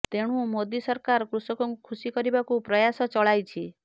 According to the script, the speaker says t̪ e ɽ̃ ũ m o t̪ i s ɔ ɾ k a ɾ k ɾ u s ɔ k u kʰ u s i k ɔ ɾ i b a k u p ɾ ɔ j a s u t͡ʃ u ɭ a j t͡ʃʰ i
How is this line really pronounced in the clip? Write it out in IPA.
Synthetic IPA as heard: t̪ e ɽ̃ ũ m o d̪ i s ɔ ɾ k a ɾ k ɾ u s ɔ k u kʰ u s i k ɔ ɾ i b a k u p ɾ ɔ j a s ɔ t͡ʃ ɔ ɭ a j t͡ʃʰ i